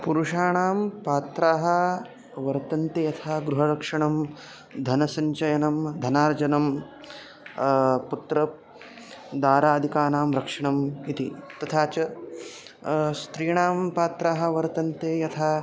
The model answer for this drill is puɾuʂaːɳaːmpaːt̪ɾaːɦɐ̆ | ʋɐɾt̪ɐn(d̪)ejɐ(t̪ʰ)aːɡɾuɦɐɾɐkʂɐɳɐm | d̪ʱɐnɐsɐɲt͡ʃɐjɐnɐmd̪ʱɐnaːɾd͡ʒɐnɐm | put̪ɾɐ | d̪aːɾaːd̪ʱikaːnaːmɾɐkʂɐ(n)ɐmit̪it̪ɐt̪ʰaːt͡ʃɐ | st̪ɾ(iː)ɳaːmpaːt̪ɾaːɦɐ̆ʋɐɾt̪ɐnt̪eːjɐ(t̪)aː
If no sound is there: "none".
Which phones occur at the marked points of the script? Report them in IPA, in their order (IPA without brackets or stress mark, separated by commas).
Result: t̪, t̪ʰ, ɳ, iː, t̪ʰ